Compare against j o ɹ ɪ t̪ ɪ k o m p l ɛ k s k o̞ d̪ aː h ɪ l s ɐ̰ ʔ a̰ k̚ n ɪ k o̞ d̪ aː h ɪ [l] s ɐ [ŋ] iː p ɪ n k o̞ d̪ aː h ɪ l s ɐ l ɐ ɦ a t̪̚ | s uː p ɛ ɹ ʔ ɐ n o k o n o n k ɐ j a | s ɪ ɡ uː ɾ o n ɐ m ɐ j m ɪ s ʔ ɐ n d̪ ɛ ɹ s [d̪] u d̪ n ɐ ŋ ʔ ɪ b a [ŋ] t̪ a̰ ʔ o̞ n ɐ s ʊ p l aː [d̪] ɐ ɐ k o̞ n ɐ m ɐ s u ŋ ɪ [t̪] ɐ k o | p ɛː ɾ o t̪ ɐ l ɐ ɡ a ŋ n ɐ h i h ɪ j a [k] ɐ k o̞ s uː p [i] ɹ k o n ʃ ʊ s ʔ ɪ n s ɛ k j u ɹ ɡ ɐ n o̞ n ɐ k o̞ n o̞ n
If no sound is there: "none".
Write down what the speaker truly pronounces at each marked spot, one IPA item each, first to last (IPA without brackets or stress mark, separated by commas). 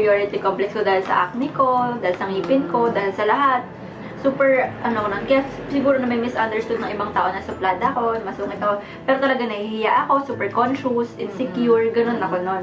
l, ŋ, t̪, ŋ, d̪, t̪, ʔ, ɛ